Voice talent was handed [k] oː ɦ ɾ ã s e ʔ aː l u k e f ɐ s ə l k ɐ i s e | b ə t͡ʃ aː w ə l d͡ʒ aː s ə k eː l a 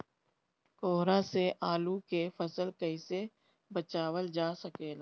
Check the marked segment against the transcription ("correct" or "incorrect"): correct